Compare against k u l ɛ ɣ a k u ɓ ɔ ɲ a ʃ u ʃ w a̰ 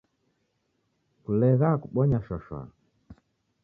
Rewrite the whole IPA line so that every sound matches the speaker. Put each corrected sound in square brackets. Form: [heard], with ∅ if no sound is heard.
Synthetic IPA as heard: k u l ɛ ɣ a k u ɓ ɔ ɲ a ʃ [ɔ] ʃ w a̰